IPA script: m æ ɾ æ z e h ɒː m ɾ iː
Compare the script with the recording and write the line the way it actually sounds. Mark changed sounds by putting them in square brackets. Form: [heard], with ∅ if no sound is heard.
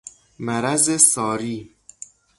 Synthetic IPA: m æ ɾ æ z e [s] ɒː [∅] ɾ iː